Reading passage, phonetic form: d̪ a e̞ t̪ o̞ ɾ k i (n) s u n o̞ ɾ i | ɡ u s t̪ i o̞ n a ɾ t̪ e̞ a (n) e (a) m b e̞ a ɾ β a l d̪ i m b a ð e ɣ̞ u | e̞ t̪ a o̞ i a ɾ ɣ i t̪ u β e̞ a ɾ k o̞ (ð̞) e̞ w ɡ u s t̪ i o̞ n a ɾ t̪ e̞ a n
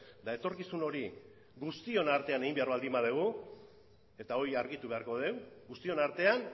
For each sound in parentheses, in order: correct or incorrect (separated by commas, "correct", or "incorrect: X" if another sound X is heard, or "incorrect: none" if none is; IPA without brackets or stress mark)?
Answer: incorrect: none, correct, incorrect: i, correct